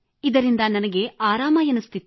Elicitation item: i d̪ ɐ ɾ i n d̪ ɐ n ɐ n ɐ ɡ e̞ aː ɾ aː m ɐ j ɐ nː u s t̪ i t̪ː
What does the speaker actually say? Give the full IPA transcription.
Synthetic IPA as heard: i d̪ ɐ ɾ i n d̪ ɐ n ɐ n ɐ ɡ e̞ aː ɾ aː m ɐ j ɐ n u s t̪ i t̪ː